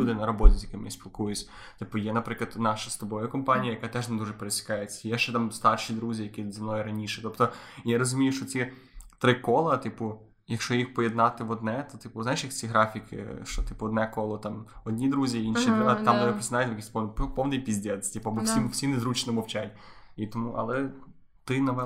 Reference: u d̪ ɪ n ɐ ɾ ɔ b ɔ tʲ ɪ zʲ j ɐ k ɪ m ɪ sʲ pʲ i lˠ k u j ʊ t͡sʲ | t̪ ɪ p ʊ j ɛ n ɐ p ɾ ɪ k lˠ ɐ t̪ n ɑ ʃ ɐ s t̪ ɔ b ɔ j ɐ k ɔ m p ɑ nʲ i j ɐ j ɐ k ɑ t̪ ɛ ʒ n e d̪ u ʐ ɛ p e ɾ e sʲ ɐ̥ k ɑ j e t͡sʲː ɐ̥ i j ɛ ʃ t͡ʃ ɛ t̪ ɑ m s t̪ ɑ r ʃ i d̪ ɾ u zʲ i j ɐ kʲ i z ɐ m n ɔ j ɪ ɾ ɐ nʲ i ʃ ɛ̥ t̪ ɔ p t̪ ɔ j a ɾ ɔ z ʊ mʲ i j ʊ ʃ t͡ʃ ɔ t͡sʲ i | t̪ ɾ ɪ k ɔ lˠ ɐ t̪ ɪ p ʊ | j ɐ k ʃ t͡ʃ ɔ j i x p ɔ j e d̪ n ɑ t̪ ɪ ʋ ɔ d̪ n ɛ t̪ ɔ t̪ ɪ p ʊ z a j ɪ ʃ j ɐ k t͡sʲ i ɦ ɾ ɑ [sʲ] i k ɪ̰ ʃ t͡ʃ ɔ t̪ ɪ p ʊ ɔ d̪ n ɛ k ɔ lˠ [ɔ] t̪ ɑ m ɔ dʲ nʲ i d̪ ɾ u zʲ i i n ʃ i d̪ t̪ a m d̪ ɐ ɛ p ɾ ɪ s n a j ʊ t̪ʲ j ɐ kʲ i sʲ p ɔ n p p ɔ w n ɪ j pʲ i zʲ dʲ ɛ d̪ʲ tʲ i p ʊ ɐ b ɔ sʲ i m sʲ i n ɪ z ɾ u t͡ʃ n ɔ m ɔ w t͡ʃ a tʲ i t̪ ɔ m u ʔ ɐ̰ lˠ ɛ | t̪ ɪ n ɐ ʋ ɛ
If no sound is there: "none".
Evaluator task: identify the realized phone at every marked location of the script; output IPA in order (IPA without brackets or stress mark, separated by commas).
fʲ, ɔ